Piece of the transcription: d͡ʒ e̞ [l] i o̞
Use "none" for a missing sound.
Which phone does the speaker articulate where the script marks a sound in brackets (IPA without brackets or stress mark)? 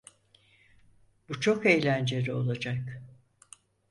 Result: ɾ